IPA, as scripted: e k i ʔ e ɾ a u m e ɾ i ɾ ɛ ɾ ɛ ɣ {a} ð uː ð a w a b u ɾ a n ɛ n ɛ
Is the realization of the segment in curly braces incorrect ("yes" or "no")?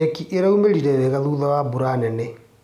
no